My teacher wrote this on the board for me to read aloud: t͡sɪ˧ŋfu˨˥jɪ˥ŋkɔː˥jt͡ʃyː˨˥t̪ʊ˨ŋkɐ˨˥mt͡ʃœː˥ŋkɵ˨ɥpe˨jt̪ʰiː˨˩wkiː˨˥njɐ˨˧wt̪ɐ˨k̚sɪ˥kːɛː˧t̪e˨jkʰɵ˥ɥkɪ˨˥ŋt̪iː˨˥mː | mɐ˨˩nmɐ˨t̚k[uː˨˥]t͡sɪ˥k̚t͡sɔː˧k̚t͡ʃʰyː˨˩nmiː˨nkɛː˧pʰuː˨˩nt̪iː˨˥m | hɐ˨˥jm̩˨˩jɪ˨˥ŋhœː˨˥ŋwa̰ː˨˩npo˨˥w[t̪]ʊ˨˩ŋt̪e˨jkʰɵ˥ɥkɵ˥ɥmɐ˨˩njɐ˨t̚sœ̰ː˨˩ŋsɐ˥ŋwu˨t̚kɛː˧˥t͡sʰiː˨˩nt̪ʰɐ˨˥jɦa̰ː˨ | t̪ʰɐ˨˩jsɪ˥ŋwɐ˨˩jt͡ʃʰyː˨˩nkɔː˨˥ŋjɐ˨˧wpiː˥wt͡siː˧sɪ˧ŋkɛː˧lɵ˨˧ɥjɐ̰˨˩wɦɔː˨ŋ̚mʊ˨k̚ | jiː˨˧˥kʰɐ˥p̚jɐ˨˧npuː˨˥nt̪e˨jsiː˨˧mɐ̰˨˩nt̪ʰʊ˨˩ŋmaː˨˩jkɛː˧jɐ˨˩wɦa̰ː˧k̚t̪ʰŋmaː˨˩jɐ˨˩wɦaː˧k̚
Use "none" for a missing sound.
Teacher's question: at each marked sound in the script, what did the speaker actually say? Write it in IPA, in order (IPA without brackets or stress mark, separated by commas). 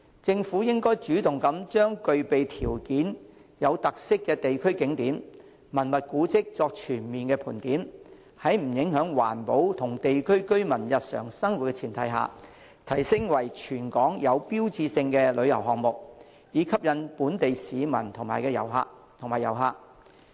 uː˨˥, t̪ʰ